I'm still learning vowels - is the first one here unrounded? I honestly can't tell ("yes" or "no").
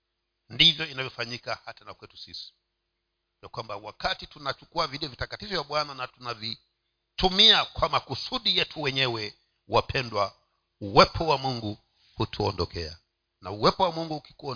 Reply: yes